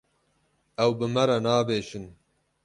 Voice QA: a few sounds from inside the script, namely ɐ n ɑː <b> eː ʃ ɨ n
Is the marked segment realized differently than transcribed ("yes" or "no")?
no